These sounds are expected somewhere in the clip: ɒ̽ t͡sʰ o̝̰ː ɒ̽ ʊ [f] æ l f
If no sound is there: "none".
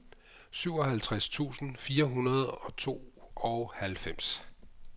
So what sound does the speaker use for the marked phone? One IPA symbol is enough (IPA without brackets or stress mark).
h